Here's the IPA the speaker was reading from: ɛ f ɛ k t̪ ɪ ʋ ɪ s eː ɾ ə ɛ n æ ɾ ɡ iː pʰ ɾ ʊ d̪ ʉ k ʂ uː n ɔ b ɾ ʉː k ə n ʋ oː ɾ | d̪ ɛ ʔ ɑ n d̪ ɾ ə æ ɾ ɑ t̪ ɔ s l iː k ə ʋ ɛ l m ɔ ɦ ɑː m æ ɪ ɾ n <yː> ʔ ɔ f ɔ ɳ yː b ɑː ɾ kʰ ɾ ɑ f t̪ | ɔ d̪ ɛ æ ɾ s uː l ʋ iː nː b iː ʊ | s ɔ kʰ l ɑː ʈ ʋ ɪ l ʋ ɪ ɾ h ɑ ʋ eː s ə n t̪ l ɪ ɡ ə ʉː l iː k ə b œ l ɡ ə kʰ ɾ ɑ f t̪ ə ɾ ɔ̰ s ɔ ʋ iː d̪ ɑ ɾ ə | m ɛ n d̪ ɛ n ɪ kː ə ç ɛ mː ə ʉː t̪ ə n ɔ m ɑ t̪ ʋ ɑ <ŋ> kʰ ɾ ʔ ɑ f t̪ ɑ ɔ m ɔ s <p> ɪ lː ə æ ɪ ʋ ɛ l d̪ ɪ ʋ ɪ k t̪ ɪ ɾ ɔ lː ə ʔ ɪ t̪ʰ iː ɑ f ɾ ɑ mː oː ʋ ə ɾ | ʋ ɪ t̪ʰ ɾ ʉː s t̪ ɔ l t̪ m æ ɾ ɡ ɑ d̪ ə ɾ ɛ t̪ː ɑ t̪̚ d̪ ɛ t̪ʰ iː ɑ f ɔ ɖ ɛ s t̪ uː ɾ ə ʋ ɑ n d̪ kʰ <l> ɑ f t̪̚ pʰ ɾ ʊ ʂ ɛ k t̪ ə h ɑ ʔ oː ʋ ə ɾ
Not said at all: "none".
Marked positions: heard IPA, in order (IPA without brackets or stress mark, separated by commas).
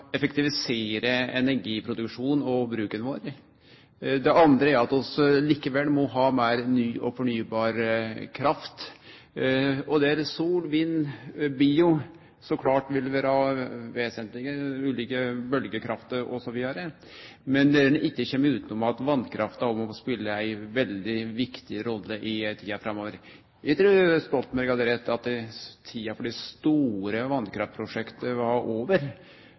yː, n, p, ɾ